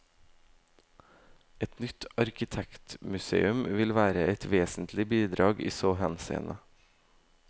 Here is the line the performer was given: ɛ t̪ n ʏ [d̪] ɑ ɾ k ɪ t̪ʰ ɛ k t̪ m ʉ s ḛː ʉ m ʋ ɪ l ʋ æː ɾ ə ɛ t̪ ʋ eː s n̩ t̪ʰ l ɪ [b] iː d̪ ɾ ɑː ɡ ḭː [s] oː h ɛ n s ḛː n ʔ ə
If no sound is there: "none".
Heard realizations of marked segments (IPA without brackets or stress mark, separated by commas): t̪, b, s